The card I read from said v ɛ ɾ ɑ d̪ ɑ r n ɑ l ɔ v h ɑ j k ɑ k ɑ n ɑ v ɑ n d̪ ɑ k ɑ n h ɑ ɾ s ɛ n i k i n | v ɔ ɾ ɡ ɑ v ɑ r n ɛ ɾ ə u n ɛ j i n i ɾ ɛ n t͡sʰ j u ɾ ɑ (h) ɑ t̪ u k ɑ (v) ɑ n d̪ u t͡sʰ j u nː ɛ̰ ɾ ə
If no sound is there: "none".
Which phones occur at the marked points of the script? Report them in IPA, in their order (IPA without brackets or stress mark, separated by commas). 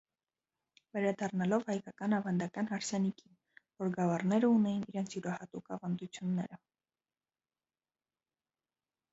h, v